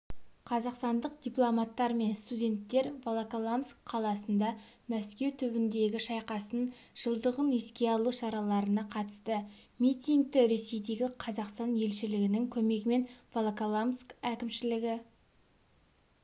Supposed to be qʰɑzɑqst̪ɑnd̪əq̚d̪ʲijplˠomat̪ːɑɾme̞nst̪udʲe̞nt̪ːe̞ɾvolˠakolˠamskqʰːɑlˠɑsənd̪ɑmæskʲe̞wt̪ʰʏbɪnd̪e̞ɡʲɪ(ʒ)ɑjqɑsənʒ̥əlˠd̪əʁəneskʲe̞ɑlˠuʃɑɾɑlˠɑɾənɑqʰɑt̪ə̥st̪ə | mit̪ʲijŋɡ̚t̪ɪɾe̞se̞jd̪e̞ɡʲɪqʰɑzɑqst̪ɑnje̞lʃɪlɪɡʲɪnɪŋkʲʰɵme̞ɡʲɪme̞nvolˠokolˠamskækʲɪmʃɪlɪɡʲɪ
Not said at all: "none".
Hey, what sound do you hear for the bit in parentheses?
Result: ʃ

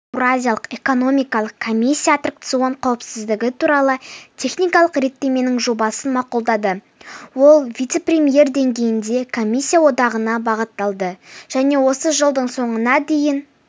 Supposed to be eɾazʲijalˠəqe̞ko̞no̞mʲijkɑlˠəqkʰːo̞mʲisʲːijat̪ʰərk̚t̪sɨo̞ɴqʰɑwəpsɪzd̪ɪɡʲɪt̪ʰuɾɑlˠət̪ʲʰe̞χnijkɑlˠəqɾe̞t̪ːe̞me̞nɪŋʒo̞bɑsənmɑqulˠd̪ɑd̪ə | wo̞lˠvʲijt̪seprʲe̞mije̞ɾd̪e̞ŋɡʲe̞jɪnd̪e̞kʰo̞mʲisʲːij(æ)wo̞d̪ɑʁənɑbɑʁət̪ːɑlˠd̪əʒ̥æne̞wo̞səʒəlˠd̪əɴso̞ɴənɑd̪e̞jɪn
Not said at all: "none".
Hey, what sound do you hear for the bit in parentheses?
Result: a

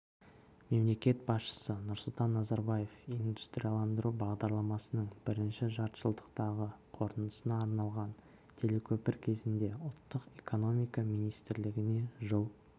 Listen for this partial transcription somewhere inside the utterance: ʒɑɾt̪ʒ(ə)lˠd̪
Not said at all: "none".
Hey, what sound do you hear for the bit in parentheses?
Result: ə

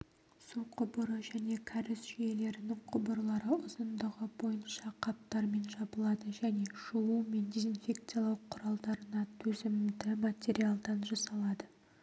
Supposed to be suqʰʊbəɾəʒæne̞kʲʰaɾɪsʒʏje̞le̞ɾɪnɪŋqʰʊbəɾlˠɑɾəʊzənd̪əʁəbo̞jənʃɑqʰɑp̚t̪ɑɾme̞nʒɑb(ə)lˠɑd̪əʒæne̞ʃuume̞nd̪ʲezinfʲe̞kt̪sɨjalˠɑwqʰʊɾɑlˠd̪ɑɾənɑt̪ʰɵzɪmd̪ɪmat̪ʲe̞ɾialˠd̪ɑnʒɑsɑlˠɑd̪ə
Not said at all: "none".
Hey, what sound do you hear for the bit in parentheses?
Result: ə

